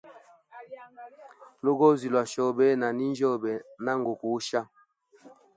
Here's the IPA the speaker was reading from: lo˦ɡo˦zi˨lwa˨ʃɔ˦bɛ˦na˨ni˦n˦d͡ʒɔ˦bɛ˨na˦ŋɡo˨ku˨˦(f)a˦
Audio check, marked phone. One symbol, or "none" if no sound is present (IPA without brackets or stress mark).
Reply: ʃ